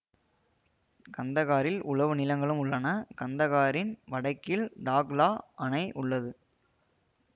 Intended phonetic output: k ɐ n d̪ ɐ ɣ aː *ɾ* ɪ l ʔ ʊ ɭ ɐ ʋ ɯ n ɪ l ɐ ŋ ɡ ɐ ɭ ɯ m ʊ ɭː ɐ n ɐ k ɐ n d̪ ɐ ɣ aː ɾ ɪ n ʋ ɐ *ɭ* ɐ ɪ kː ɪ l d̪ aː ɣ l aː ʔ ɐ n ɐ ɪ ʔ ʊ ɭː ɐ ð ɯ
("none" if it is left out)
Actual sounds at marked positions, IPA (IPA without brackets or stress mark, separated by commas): ɾ, ɽ